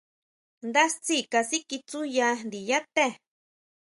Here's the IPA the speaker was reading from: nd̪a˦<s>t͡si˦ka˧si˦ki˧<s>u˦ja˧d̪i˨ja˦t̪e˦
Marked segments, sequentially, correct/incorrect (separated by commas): correct, incorrect